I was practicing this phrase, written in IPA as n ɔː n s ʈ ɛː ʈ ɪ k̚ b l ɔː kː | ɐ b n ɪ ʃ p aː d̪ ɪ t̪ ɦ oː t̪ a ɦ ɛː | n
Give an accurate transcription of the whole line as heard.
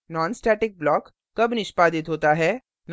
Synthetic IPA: n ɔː n s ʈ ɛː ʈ ɪ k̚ b l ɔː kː | ɐ b n ɪ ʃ p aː d̪ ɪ t̪ ɦ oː t̪ a ɦ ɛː | n